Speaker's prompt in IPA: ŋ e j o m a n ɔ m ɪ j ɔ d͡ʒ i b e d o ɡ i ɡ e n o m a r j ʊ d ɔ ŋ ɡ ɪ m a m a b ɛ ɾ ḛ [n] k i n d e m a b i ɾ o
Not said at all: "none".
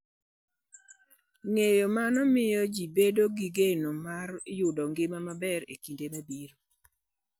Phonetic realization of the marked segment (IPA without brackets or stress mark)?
none